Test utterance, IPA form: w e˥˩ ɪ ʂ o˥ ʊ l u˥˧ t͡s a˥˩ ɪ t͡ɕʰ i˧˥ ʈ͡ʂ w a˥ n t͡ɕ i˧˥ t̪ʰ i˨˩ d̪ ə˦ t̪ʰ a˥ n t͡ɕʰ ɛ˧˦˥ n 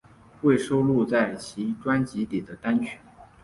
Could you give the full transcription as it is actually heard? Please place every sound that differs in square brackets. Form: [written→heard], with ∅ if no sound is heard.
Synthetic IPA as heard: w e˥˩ ɪ ʂ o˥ ʊ l u˥˧ t͡s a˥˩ ɪ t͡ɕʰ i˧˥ ʈ͡ʂ w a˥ n t͡ɕ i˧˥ [t̪ʰ→t̪] i˨˩ d̪ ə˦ [t̪ʰ→t̪] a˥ n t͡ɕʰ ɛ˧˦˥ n